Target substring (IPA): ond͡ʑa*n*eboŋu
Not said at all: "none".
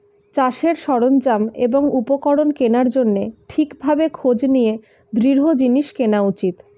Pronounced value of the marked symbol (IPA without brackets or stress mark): m